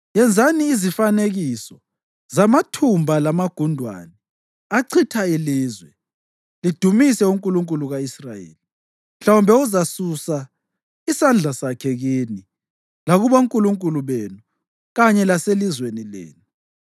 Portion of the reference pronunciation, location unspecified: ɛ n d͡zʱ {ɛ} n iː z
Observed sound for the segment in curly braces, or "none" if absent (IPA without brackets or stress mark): a